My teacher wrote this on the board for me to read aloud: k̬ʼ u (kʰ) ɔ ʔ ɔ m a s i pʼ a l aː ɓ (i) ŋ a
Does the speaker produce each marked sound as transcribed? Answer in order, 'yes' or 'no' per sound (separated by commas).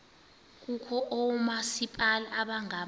yes, no